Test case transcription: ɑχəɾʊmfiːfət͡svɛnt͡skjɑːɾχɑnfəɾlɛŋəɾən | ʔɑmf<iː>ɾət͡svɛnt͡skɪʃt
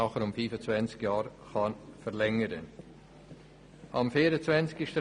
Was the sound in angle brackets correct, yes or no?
yes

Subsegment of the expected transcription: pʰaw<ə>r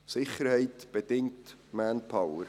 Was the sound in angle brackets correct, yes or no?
yes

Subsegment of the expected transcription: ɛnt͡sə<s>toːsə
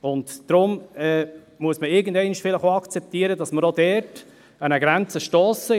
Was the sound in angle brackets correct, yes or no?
no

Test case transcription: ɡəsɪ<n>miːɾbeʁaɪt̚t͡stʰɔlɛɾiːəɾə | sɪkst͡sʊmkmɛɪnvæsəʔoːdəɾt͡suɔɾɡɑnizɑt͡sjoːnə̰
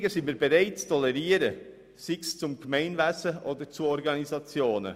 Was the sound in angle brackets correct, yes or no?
yes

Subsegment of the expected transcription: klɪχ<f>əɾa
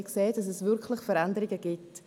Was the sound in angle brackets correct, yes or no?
yes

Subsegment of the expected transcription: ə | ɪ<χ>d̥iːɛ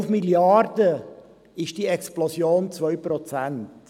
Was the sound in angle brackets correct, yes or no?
no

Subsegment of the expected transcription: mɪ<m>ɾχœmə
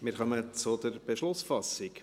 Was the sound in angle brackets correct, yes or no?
no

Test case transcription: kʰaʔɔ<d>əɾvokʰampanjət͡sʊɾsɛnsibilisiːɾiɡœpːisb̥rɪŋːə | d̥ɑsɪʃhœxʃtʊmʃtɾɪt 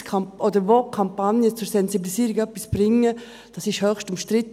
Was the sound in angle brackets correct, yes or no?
yes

